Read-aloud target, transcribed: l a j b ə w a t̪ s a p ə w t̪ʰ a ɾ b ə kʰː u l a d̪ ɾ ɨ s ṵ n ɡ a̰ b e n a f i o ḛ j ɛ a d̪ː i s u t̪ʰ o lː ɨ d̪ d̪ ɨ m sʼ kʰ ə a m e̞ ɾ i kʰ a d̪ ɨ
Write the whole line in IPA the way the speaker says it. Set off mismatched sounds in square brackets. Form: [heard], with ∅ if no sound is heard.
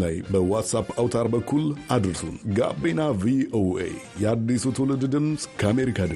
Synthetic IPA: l a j b ə w a t̪ s a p [a] w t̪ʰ a ɾ b ə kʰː u l a d̪ ɾ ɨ s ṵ n ɡ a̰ b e n a [v] i o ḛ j ɛ a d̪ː i s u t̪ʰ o [l] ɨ d̪ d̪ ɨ m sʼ kʰ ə a m e̞ ɾ i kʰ a d̪ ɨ